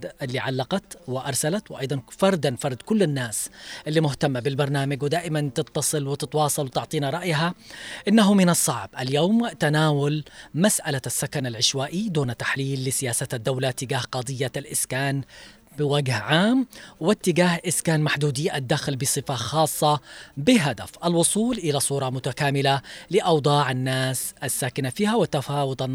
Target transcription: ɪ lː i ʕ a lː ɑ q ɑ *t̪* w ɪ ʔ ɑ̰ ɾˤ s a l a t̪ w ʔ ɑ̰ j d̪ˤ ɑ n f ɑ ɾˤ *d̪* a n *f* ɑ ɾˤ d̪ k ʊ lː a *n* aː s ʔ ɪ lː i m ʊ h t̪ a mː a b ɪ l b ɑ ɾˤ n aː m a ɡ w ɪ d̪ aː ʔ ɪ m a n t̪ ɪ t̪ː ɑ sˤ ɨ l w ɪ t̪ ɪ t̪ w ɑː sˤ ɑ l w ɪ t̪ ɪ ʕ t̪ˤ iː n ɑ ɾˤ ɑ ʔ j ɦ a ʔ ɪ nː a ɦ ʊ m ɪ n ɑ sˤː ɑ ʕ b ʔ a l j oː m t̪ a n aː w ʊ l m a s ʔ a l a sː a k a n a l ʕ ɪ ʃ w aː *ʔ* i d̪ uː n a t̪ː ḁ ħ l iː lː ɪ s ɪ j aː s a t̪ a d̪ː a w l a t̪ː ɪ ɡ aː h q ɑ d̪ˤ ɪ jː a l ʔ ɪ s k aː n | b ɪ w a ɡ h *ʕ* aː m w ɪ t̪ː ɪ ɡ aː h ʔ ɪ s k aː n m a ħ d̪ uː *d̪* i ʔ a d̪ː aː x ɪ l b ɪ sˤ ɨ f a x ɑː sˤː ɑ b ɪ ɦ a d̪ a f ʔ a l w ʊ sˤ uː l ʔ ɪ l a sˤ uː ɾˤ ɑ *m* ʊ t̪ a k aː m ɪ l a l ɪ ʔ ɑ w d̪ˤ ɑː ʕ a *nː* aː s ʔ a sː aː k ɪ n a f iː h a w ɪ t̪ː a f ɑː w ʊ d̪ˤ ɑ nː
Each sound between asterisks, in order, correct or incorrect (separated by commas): correct, correct, correct, incorrect, correct, correct, correct, correct, correct